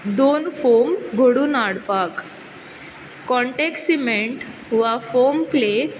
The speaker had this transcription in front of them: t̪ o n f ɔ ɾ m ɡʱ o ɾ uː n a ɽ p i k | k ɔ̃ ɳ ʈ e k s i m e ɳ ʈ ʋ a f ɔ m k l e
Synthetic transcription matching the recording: d̪ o n f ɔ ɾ m ɡʱ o ɽ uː n a ɽ p a k | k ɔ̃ ɳ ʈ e k s i m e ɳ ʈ ʋ a f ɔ m k l e